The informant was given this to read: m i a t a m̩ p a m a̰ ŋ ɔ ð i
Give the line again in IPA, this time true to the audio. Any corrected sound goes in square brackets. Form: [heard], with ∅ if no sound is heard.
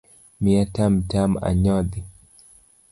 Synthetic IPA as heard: m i a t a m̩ [t] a m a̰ [ɲ] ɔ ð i